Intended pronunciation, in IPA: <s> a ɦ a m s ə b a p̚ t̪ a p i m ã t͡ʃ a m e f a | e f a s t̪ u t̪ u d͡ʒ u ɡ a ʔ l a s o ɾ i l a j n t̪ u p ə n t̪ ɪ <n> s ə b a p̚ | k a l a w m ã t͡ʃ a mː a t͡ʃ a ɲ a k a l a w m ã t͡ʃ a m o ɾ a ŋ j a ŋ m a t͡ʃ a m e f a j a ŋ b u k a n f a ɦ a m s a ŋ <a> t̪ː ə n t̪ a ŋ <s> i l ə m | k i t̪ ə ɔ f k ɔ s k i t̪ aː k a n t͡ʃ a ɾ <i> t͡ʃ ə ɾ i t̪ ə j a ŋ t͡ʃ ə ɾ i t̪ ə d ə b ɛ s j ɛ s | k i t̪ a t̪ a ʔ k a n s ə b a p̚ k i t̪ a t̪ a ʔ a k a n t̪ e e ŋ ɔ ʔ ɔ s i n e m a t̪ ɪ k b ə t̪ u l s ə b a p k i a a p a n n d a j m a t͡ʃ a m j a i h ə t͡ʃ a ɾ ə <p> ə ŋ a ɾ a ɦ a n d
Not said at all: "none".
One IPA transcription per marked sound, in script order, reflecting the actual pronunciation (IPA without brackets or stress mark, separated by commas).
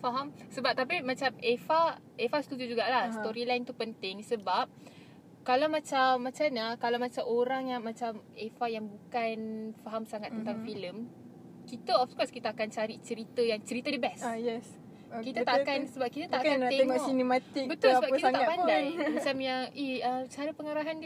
f, ŋ, a, f, i, p